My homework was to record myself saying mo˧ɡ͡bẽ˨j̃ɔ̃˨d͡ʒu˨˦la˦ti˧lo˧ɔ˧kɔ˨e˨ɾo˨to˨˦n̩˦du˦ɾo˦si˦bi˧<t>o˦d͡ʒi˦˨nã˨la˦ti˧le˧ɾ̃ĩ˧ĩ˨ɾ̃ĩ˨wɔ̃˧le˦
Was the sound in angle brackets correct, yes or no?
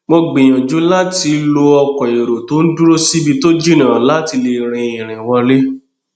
yes